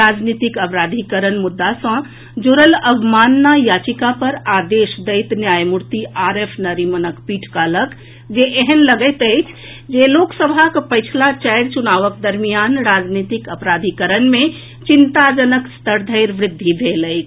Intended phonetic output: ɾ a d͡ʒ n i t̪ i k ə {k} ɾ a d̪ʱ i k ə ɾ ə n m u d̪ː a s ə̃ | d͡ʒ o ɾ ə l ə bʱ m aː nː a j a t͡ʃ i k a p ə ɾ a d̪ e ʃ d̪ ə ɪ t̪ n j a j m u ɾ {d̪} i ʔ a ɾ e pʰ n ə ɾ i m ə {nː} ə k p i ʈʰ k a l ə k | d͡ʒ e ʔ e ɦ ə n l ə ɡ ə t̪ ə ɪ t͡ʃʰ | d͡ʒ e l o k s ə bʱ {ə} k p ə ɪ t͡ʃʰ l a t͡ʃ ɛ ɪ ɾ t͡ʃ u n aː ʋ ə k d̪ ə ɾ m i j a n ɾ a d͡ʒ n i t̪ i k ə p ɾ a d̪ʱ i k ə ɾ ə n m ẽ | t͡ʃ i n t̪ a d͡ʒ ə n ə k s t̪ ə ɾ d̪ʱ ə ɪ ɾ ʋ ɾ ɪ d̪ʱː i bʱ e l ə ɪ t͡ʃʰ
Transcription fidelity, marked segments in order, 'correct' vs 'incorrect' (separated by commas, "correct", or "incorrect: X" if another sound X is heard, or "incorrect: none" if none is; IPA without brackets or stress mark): incorrect: p, incorrect: t̪, incorrect: n, incorrect: a